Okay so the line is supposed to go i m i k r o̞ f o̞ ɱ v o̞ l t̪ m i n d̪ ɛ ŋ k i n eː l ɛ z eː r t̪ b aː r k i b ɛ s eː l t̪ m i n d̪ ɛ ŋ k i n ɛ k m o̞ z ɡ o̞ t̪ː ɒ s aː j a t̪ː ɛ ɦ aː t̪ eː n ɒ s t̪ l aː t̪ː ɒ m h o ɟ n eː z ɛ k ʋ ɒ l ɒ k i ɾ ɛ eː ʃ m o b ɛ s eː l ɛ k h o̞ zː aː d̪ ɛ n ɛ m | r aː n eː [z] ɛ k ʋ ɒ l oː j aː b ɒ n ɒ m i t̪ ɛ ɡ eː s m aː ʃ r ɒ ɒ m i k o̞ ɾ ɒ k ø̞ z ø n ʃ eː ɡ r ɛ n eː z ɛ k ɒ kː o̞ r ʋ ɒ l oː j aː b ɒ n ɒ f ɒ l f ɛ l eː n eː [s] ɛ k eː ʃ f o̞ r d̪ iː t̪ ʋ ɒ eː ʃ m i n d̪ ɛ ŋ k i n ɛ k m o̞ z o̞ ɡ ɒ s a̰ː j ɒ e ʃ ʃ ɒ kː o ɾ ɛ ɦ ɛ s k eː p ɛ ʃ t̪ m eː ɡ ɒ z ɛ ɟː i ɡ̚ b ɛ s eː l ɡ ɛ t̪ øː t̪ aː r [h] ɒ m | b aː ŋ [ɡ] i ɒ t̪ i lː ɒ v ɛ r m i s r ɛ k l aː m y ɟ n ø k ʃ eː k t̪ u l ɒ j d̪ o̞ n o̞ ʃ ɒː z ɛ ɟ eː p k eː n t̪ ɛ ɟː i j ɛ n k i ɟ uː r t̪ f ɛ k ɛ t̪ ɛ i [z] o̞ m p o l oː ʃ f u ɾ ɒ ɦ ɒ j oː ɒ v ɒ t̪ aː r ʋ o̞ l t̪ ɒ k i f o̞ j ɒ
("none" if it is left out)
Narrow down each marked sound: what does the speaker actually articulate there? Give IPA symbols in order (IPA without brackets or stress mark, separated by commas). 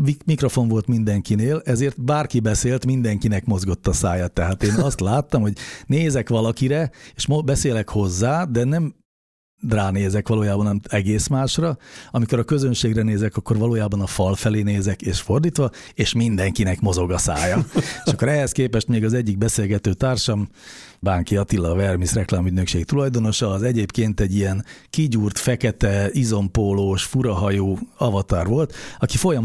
z, z, ʃ, k, z